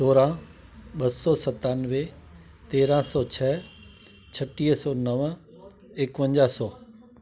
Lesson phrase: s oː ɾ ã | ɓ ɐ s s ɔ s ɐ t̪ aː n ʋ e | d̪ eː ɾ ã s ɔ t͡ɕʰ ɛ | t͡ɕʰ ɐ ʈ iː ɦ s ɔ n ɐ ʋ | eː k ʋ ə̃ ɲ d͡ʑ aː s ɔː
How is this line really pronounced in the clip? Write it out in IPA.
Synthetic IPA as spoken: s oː ɾ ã | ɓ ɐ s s ɔ s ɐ t̪ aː n ʋ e | t̪ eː ɾ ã s ɔ t͡ɕʰ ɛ | t͡ɕʰ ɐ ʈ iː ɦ s ɔ n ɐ ʋ | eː k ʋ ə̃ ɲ d͡ʑ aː s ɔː